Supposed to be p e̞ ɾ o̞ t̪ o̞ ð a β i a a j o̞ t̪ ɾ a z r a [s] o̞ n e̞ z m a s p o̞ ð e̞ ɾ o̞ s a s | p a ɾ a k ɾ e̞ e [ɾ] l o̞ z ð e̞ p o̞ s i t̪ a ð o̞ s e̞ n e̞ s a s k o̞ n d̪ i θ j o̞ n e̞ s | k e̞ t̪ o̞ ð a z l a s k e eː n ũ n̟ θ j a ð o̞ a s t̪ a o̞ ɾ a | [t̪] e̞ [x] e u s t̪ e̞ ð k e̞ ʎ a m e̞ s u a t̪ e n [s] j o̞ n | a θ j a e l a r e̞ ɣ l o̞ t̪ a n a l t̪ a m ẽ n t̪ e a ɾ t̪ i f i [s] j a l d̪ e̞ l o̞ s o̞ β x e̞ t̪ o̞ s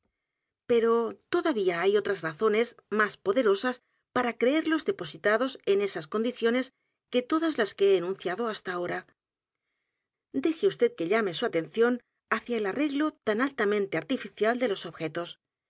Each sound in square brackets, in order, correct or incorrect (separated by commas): incorrect, correct, incorrect, correct, incorrect, incorrect